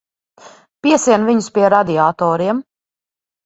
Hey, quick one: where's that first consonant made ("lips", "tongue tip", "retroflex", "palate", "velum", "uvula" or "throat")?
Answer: lips